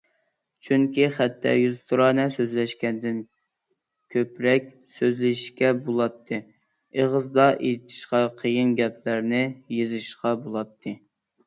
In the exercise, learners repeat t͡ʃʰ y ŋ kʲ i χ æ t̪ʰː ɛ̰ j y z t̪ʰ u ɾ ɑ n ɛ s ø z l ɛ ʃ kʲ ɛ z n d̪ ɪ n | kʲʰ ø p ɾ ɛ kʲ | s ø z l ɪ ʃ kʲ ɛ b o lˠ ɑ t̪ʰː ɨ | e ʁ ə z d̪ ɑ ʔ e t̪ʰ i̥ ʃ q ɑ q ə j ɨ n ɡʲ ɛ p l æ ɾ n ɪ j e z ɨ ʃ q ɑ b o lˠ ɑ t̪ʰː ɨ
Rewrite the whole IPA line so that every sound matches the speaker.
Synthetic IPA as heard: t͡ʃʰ y ŋ kʲ i χ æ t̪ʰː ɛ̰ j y z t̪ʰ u ɾ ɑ n ɛ s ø z l ɛ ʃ kʲ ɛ n d̪ ɪ n | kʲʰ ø p ɾ ɛ kʲ | s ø z l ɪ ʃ kʲ ɛ b o lˠ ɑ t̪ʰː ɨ | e ʁ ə z d̪ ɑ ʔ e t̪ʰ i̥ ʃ q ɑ qʰ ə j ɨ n ɡʲ ɛ p l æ ɾ n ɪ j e z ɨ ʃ q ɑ b o lˠ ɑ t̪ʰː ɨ